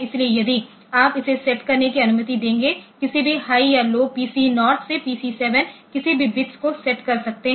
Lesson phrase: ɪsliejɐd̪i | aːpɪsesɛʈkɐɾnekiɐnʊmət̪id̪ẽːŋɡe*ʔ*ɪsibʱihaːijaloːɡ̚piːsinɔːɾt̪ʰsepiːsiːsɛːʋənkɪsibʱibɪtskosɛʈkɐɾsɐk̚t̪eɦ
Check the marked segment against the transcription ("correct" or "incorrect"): incorrect